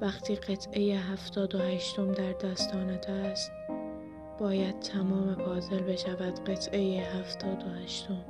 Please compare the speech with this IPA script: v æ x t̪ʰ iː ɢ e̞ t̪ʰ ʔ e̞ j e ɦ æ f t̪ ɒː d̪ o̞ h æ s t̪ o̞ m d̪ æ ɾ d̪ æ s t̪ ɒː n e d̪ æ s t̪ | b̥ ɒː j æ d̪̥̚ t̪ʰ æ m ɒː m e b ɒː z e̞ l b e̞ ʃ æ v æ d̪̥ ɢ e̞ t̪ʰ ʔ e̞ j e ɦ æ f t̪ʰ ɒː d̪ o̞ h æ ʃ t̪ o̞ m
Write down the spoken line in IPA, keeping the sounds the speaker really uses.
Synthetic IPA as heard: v æ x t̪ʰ iː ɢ e̞ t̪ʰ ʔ e̞ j e ɦ æ f t̪ ɒː d̪ o̞ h æ ʃ t̪ o̞ m d̪ æ ɾ d̪ æ s t̪ ɒː n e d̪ æ s t̪ | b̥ ɒː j æ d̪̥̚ t̪ʰ æ m ɒː m e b ɒː z e̞ l b e̞ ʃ æ v æ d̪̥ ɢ e̞ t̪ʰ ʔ e̞ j e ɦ æ f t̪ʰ ɒː d̪ o̞ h æ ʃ t̪ o̞ m